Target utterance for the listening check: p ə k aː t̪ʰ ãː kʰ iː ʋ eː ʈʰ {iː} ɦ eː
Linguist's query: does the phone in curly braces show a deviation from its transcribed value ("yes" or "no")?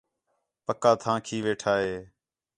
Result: yes